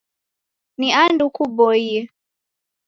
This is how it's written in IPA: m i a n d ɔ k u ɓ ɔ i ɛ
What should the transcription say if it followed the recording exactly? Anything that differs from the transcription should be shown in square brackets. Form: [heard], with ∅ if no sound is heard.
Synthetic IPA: [n] i a n d [u] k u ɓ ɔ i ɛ